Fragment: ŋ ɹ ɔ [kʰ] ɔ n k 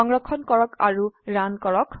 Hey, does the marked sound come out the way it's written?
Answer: yes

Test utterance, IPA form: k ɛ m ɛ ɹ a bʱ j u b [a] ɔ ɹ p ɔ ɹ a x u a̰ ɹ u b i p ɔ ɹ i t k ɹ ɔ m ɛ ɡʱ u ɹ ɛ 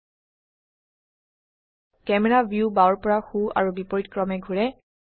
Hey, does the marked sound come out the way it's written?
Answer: yes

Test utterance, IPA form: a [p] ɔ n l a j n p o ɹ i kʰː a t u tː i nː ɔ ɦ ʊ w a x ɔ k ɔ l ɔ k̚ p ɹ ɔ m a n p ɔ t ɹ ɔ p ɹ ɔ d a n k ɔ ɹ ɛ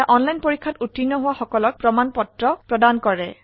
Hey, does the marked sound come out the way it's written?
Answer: no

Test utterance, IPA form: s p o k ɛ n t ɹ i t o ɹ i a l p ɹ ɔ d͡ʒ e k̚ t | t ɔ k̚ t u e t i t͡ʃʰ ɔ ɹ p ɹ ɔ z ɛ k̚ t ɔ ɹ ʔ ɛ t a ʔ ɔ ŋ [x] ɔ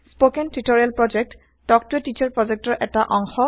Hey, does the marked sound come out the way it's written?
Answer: yes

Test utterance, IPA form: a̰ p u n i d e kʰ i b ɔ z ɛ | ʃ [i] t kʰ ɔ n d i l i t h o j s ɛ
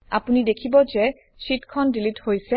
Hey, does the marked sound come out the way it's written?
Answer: yes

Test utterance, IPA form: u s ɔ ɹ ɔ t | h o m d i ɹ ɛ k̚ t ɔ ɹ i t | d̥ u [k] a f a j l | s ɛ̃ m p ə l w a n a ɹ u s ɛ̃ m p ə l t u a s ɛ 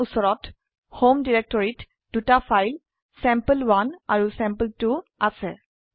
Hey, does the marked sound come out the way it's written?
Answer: no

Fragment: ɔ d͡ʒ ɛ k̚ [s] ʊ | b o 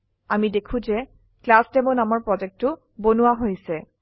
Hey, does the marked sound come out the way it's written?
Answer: no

